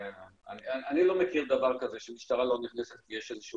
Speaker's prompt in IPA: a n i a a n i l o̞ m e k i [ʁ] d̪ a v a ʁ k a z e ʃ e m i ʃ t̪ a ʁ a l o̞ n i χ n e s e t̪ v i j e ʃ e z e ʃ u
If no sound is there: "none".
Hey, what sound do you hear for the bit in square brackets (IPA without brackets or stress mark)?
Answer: ʁ